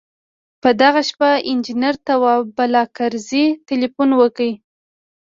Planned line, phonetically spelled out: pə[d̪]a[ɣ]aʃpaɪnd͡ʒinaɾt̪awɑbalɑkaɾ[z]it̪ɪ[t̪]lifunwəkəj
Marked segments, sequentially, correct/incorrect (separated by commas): correct, correct, correct, incorrect